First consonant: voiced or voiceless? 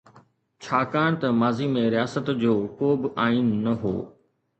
voiceless